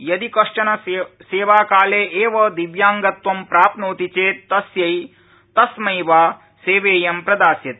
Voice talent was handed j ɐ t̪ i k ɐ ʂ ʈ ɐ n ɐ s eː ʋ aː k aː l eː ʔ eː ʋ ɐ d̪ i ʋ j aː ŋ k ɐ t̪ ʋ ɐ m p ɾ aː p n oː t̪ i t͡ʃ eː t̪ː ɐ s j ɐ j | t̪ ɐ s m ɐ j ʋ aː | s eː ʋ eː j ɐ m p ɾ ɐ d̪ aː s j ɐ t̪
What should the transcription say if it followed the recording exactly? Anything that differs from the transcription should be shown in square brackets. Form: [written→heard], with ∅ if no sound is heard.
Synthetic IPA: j ɐ [t̪→d̪] i k ɐ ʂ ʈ ɐ n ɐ s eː ʋ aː k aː l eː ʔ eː ʋ ɐ d̪ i ʋ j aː ŋ [k→ɡ] ɐ t̪ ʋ ɐ m p ɾ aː p n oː t̪ i t͡ʃ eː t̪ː ɐ s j ɐ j | t̪ ɐ s m ɐ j ʋ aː | s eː ʋ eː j ɐ m p ɾ ɐ d̪ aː s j ɐ t̪